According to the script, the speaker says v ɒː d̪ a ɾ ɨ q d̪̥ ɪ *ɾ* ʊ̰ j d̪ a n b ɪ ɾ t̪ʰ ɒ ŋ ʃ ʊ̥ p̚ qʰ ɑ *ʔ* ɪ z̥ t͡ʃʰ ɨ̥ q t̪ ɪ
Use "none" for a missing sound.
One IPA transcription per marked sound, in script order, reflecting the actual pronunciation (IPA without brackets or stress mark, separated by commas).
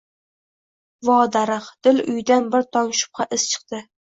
l, ʔ